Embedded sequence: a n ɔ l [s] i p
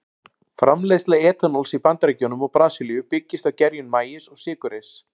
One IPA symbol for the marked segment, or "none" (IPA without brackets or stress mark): s